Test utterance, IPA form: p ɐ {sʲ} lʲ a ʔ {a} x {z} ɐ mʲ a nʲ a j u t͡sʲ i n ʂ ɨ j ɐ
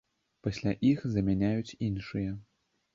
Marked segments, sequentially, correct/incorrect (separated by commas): correct, incorrect, correct